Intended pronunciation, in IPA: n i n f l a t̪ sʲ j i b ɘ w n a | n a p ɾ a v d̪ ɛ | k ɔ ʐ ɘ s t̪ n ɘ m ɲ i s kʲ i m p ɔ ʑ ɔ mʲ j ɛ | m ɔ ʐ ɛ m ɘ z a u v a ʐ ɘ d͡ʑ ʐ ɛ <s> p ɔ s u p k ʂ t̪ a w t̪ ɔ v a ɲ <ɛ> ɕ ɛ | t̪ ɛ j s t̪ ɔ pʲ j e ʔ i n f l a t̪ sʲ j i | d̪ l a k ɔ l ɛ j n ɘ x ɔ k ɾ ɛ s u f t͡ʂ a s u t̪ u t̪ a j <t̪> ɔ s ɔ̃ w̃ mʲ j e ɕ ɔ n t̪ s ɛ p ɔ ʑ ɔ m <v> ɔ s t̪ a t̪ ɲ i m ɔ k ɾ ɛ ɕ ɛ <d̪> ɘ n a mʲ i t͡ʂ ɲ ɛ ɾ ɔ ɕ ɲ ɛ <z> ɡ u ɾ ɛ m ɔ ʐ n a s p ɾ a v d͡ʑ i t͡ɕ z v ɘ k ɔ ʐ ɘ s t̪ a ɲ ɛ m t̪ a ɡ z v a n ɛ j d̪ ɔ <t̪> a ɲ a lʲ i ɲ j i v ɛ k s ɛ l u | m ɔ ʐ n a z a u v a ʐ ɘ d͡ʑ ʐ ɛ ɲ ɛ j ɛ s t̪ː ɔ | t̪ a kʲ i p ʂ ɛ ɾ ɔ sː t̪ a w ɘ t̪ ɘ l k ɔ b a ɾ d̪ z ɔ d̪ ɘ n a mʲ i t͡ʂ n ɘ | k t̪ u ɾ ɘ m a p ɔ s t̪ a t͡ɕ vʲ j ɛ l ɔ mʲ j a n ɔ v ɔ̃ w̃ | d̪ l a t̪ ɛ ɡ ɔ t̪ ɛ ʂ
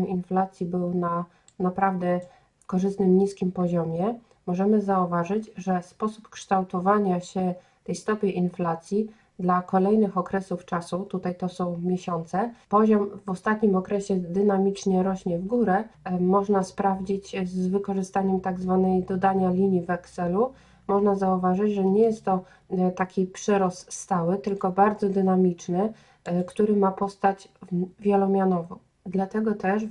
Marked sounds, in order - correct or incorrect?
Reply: correct, incorrect: a, correct, correct, correct, incorrect: v, incorrect: d̪

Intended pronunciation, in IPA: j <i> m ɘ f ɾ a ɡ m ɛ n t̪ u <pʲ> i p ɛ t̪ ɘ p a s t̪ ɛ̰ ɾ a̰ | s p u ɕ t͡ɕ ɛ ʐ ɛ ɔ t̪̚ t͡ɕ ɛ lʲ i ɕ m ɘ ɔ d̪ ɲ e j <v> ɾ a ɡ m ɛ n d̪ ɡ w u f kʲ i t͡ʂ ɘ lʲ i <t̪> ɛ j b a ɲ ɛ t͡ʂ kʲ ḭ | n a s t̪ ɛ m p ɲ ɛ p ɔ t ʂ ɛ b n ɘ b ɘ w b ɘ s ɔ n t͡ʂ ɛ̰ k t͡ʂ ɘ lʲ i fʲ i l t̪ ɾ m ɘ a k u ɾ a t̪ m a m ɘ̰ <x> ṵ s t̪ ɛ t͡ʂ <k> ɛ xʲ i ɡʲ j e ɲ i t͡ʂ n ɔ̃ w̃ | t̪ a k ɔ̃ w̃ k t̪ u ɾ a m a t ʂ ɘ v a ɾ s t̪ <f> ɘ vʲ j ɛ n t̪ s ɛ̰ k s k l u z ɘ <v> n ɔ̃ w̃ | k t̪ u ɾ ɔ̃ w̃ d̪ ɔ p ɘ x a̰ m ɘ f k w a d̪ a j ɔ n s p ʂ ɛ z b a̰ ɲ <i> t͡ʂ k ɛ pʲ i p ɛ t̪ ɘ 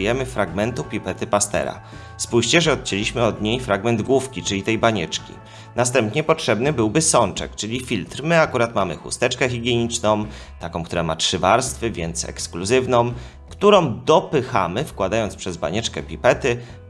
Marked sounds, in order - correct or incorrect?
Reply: incorrect: ɛ, correct, incorrect: f, correct, correct, correct, correct, correct, incorrect: ɛ

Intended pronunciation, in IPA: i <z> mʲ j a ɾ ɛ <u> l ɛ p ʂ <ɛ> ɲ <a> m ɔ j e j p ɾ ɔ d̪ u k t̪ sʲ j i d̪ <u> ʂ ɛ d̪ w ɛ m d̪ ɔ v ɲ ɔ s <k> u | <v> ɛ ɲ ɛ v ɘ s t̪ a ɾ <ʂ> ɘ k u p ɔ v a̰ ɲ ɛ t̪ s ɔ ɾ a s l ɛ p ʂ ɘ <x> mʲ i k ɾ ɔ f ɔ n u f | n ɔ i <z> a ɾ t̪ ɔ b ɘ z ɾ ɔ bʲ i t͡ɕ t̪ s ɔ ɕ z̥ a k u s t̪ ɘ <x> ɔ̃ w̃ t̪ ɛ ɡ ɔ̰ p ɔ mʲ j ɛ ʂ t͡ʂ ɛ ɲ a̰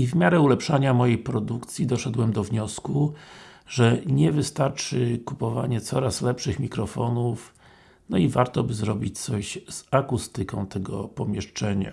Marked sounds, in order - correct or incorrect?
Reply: incorrect: v, correct, incorrect: a, correct, incorrect: ɔ, correct, incorrect: ʐ, incorrect: t͡ʂ, correct, incorrect: v, incorrect: k

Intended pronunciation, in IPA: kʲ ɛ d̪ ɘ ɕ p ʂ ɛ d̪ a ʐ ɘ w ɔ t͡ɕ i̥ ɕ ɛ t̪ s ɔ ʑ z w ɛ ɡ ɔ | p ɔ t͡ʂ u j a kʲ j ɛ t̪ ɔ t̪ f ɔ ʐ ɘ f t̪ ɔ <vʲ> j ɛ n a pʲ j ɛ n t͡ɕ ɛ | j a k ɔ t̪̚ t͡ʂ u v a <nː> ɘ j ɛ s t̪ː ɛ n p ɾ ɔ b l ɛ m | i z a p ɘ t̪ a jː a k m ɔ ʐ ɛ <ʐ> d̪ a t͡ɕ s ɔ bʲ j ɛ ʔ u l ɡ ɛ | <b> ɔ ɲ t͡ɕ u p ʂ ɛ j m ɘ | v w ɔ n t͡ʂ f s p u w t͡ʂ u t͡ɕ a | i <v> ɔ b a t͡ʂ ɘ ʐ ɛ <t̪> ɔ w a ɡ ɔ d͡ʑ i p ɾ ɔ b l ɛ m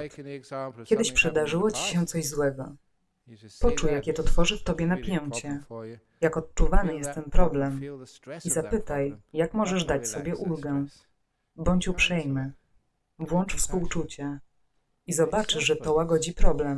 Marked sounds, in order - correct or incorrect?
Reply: incorrect: bʲ, incorrect: n, correct, correct, incorrect: z, correct

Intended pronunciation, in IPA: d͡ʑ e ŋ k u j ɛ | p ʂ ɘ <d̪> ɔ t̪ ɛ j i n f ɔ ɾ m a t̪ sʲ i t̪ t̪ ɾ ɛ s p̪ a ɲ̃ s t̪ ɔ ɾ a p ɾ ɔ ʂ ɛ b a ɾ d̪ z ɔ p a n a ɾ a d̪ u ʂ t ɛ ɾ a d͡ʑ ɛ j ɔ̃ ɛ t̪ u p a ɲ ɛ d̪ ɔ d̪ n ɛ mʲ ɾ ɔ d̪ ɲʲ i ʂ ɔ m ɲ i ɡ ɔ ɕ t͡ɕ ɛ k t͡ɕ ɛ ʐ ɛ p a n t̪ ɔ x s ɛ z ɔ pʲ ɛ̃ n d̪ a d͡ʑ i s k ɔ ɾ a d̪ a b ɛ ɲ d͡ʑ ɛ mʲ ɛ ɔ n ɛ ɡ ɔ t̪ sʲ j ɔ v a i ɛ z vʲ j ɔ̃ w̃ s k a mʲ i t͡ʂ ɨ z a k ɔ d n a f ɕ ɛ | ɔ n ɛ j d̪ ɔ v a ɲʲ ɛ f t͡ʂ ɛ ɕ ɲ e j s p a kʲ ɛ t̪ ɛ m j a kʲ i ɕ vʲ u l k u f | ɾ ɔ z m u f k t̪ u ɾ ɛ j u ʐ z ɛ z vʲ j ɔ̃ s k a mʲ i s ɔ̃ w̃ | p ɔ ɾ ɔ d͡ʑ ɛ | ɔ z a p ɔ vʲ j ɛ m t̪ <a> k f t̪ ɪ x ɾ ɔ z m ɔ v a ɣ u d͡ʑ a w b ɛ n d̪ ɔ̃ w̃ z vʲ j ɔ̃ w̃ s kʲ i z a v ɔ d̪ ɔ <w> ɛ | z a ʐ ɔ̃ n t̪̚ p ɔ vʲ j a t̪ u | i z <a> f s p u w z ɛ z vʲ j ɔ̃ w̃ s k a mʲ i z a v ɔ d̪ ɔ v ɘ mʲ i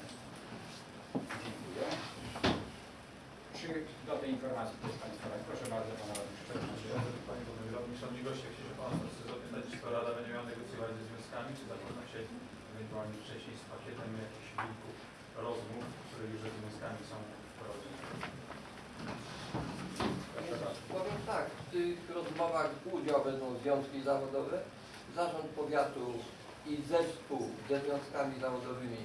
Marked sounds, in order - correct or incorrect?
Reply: correct, correct, incorrect: v, incorrect: ɛ

